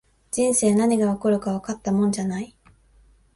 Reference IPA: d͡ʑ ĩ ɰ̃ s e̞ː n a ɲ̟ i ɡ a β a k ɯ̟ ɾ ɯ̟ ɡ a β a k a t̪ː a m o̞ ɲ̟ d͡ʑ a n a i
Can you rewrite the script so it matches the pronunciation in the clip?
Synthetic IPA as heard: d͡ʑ ĩ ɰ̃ s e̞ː n a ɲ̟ i ɡ a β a k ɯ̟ ɾ ɯ̟ k a β a k a t̪ː a m õ̞ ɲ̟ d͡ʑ a n a i